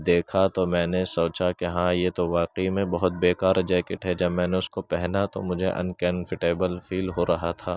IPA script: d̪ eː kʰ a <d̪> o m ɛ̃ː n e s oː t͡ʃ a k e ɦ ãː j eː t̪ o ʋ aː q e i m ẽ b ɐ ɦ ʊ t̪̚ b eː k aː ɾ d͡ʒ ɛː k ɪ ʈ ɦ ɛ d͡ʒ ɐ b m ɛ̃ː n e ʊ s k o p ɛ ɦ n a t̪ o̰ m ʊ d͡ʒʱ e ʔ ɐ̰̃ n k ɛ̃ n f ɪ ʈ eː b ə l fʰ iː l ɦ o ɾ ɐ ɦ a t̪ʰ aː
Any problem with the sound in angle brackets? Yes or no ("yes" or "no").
yes